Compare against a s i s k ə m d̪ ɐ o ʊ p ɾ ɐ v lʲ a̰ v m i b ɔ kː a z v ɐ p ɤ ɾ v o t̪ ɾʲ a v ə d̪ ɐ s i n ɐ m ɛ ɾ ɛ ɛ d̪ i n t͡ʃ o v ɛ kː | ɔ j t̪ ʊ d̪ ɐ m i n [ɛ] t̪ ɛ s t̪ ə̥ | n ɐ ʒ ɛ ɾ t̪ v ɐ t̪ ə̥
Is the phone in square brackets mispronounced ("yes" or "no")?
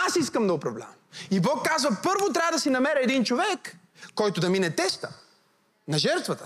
no